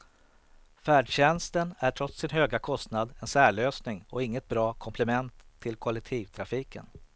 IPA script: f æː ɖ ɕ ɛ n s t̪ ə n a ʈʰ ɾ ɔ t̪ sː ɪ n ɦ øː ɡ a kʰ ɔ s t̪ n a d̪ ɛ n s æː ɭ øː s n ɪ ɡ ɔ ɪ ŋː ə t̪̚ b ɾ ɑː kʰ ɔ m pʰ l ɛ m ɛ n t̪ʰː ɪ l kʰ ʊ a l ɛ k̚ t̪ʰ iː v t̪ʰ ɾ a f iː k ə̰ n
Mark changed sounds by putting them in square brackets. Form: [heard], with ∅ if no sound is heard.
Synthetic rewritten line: f æː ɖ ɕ ɛ n s t̪ ə n [æ] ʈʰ ɾ ɔ t̪ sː ɪ n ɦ øː ɡ a kʰ ɔ s t̪ n a d̪ ɛ n s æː ɭ øː s n ɪ [ŋ] ɔ ɪ ŋː ə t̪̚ b ɾ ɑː kʰ ɔ m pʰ l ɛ m ɛ n t̪ʰː ɪ l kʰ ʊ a l ɛ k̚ t̪ʰ iː v t̪ʰ ɾ a f iː k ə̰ n